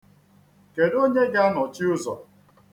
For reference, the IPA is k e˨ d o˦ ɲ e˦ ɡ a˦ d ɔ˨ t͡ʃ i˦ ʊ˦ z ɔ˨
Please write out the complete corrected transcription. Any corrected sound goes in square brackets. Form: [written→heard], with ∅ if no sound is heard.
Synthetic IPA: k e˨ d o˦ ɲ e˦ ɡ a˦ [d→n] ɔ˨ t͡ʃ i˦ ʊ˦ z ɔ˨